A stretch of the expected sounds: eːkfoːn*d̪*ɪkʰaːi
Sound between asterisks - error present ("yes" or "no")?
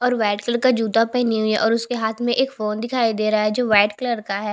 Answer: no